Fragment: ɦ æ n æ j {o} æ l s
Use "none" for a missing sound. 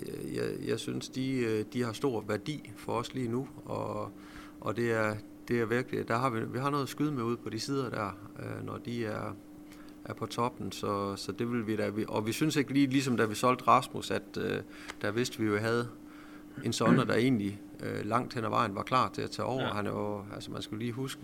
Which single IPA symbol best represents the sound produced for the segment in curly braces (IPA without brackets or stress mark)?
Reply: o